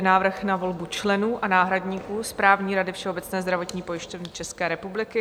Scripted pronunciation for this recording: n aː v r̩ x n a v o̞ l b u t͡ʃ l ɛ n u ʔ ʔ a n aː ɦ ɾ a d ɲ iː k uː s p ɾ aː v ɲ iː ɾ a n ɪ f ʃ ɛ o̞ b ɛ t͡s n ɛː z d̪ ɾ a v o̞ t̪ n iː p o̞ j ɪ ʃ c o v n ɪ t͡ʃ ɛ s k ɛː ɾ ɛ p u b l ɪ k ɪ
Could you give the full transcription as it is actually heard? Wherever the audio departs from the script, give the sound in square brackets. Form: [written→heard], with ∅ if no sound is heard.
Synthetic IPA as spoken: n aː v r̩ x n a v o̞ l b u t͡ʃ l ɛ n [u→uː] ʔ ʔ a n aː ɦ ɾ a d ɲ iː k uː s p ɾ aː v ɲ iː ɾ a [n→d] ɪ f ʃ ɛ o̞ b ɛ t͡s n ɛː z d̪ ɾ a v o̞ t̪ [n→ɲ] iː p o̞ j ɪ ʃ c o v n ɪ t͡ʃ ɛ s k ɛː ɾ ɛ p u b l ɪ k ɪ